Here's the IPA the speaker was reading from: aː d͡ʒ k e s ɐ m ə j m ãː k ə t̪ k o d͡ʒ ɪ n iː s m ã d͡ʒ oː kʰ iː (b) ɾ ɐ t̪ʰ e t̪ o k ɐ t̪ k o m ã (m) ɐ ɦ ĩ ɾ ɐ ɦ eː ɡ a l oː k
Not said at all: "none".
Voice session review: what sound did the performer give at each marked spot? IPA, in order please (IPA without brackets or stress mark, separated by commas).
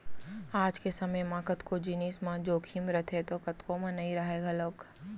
m, n